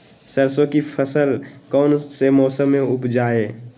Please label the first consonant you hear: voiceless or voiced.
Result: voiceless